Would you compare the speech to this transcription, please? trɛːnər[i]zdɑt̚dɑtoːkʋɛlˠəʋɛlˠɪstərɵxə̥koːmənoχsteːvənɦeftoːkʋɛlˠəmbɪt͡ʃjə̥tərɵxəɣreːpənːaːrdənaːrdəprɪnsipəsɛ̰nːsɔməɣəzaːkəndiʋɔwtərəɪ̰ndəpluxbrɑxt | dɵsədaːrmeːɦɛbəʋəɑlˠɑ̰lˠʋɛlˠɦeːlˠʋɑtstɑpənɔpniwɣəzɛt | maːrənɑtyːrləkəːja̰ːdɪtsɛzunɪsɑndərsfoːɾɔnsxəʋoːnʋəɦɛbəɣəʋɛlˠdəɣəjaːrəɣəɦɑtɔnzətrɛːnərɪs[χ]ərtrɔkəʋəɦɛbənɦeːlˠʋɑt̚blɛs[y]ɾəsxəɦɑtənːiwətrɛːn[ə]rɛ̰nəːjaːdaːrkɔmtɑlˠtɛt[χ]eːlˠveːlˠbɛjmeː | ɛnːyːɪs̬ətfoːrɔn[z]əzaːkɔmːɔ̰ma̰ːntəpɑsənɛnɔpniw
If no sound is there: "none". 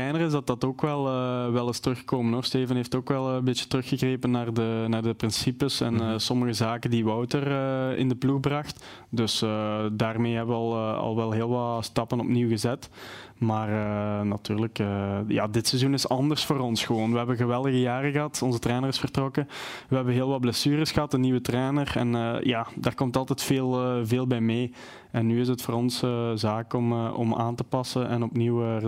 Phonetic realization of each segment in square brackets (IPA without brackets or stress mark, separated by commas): ɪ, f, yː, ə, f, s